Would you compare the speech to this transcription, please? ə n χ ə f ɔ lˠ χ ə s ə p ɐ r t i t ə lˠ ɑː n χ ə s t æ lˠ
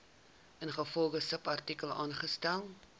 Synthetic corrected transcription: ə n χ ə f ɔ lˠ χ ə s ə p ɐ r t i k ə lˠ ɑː n χ ə s t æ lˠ